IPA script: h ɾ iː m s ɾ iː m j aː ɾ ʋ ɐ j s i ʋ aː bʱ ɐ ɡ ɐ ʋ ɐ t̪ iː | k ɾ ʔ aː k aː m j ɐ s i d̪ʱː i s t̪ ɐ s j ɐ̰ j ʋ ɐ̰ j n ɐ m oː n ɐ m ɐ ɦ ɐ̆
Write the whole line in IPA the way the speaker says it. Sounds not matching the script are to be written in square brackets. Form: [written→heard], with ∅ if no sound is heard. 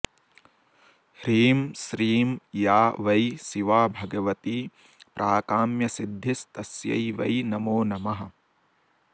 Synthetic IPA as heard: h ɾ iː m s ɾ iː m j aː [ɾ→∅] ʋ ɐ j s i ʋ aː bʱ ɐ ɡ ɐ ʋ ɐ t̪ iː | [k→p] ɾ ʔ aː k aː m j ɐ s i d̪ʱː i s t̪ ɐ s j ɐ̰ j ʋ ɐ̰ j n ɐ m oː n ɐ m ɐ ɦ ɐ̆